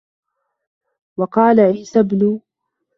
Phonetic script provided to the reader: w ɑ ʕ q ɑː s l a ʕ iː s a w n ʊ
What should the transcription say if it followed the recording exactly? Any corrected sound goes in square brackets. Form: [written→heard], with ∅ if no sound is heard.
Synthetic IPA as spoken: w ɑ [ʕ→∅] q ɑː [s→∅] l a ʕ iː s a [w→b] n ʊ